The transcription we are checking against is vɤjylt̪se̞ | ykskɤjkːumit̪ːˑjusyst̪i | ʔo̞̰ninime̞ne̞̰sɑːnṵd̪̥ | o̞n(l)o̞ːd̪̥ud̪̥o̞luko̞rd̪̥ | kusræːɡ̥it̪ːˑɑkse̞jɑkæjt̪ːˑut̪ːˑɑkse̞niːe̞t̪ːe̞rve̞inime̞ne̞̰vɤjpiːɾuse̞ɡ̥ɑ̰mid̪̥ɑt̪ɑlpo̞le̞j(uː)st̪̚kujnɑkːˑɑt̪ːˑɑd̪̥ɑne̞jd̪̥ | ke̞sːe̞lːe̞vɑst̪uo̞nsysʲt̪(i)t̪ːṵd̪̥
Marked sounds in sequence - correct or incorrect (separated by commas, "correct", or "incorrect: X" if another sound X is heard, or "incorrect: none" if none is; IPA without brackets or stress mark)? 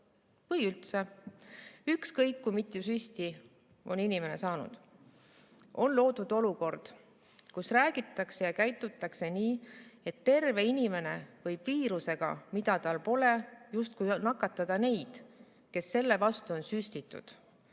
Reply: correct, incorrect: u, correct